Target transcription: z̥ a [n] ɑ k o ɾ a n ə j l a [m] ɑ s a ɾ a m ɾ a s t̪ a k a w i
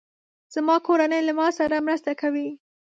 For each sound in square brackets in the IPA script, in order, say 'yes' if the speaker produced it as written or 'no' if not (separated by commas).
no, yes